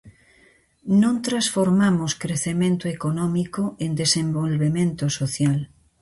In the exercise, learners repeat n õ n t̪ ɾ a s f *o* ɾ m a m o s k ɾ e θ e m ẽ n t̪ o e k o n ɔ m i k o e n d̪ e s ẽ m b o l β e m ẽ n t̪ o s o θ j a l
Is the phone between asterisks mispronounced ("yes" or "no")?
no